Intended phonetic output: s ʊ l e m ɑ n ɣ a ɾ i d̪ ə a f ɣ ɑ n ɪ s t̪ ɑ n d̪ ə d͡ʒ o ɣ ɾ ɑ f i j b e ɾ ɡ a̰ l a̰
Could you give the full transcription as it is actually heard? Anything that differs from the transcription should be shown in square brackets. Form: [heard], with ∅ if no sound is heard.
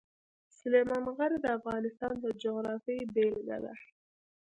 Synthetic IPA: s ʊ l e m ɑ n ɣ a ɾ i d̪ ə a f ɣ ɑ n ɪ s t̪ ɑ n d̪ ə d͡ʒ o ɣ ɾ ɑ f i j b e [l] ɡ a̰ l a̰